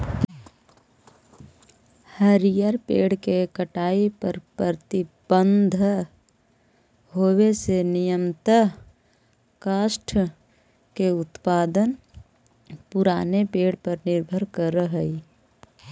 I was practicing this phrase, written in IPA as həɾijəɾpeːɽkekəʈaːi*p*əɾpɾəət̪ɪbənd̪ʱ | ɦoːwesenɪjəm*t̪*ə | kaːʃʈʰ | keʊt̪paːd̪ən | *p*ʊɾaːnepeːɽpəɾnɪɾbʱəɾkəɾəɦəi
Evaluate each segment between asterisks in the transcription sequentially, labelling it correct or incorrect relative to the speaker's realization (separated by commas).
correct, correct, correct